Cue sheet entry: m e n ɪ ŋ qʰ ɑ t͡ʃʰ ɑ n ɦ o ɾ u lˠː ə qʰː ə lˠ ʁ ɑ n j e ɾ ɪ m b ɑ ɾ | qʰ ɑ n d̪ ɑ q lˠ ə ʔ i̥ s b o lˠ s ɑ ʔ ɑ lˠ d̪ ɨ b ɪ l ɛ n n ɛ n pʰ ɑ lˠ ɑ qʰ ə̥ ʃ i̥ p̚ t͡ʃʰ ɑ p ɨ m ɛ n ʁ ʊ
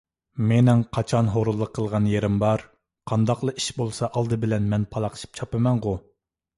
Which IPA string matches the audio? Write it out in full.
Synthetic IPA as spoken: m e n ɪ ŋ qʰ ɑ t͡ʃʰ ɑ n ɦ o ɾ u lˠː ə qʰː ə lˠ ʁ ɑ n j e ɾ ɪ m b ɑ ɾ | qʰ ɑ n d̪ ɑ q lˠ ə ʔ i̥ ʃ b o lˠ s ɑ ʔ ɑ lˠ d̪ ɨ b ɪ l ɛ n m ɛ n pʰ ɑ lˠ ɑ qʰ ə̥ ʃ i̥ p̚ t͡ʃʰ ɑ p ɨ m ɛ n ʁ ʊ